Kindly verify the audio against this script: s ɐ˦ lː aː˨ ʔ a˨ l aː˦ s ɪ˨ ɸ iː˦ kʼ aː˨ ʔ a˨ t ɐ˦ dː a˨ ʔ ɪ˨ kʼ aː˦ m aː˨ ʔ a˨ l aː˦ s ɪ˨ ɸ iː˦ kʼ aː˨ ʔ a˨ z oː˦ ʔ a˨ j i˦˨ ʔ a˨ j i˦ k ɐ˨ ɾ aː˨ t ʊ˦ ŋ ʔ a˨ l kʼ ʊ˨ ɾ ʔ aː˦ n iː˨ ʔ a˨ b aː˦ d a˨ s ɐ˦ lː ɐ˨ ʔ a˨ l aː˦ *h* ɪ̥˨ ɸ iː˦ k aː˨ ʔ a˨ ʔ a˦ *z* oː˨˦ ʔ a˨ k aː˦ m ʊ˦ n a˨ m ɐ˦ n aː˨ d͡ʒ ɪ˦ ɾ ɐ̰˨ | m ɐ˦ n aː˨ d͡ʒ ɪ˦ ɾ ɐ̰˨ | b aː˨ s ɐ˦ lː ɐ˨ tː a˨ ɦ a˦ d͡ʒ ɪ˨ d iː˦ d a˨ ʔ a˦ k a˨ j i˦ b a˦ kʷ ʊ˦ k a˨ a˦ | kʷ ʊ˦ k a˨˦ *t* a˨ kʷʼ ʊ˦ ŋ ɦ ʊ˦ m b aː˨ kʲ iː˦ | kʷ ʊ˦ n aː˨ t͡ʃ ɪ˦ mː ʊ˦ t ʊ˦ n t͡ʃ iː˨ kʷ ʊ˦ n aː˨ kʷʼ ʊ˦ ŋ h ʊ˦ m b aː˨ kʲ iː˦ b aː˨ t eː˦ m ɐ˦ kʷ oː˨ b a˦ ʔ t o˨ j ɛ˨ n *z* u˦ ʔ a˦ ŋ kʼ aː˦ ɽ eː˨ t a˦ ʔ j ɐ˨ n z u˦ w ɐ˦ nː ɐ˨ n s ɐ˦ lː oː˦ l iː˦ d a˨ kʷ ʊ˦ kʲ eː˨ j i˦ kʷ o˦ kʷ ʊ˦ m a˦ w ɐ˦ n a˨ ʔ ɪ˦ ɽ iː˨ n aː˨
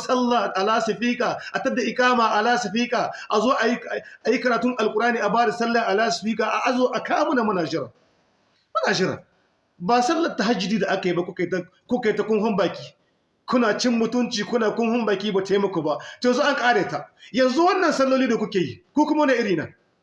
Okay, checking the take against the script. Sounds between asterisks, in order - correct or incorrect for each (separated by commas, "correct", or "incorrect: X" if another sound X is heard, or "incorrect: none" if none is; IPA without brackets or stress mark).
incorrect: s, correct, correct, correct